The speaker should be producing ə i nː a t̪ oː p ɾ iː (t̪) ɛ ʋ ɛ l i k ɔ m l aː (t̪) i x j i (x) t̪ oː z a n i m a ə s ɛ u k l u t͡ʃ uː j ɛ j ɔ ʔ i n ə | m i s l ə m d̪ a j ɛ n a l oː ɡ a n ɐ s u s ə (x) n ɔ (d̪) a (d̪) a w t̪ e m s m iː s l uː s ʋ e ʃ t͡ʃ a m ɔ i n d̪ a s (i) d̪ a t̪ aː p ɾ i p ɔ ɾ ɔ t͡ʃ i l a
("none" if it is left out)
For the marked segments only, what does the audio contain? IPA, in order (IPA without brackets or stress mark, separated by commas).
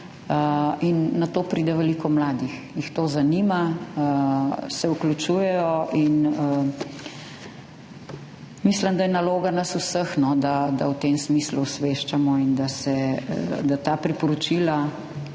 d̪, d̪, x, x, d̪, d̪, ɛ